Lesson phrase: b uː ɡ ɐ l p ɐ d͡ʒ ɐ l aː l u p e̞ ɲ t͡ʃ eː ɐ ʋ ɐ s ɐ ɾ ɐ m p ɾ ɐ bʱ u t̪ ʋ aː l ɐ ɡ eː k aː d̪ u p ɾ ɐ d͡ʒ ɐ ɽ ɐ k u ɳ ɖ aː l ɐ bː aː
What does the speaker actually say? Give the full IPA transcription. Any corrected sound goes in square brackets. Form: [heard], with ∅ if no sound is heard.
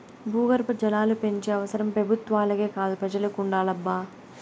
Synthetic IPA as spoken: b uː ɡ ɐ [ɾ] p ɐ d͡ʒ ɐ l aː l u p e̞ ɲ t͡ʃ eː ɐ ʋ ɐ s ɐ ɾ ɐ m p ɾ ɐ bʱ u t̪ ʋ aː l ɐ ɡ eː k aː d̪ u p ɾ ɐ d͡ʒ ɐ [l] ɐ k u ɳ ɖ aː l ɐ bː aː